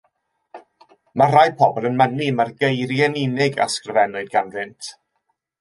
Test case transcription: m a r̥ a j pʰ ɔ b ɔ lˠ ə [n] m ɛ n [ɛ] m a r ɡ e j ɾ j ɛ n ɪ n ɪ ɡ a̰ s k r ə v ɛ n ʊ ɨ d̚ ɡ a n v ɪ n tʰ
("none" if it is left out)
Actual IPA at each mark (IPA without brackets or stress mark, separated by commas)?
n, i